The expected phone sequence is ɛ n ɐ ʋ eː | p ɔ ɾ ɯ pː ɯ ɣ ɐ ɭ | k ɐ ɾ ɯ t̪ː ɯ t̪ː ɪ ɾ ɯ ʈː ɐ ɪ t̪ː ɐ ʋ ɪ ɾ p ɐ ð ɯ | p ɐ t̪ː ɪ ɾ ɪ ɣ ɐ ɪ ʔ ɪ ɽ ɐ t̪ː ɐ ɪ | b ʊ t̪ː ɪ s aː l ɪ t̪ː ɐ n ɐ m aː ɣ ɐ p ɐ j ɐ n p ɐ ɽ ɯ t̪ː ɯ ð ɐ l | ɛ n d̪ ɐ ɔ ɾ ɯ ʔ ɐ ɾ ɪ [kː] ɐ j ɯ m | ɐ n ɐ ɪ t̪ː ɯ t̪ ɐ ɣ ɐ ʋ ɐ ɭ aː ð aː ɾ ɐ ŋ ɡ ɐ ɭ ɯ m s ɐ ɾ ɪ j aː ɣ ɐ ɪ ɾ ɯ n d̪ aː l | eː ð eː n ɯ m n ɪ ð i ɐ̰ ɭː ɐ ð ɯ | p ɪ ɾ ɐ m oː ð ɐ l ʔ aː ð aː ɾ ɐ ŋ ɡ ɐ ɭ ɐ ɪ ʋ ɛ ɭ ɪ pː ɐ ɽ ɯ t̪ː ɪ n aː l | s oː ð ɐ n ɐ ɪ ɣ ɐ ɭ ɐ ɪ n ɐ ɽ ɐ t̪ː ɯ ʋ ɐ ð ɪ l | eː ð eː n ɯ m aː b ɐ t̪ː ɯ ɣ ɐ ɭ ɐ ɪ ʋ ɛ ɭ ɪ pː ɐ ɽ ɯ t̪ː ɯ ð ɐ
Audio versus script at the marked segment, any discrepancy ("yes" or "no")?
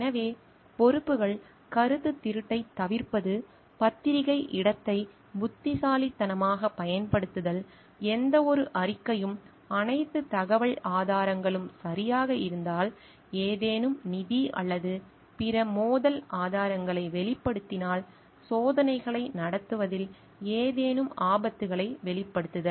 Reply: no